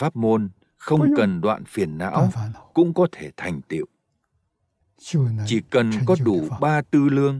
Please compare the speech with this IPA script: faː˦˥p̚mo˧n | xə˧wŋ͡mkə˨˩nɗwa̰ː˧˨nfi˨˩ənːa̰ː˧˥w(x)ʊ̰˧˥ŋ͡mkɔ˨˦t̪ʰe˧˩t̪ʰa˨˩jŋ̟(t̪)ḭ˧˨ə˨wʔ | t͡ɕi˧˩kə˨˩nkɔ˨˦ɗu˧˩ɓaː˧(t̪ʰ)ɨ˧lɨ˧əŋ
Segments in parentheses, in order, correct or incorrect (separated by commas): incorrect, correct, incorrect